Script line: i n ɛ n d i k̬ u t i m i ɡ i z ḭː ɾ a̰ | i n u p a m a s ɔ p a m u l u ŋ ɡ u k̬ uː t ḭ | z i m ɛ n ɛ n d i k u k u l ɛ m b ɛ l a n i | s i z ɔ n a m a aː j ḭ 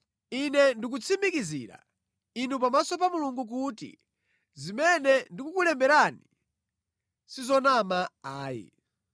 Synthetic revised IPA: i n ɛ n d i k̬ u t͡sʰ i m i k i z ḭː ɾ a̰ | i n u p a m a s ɔ p a m u l u ŋ ɡ u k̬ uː t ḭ | z i m ɛ n ɛ n d i k u k u l ɛ m b ɛ ɾ a n i | s i z ɔ n a m a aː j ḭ